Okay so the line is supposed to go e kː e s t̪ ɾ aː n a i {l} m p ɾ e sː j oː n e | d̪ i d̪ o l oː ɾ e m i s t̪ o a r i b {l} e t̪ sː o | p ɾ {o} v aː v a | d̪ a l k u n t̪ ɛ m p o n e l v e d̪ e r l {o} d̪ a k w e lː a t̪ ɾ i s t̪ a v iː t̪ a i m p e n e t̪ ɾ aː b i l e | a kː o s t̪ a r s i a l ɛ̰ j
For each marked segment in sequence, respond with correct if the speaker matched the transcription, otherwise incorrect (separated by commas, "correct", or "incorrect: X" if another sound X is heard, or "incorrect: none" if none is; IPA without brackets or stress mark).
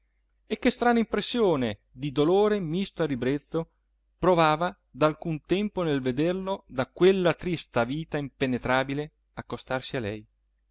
incorrect: none, incorrect: ɾ, correct, correct